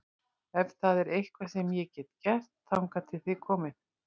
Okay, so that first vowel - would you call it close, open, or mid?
mid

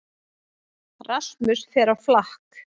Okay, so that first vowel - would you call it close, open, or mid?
open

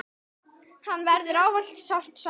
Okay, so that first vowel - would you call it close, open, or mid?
open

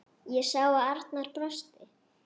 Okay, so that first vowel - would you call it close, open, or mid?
mid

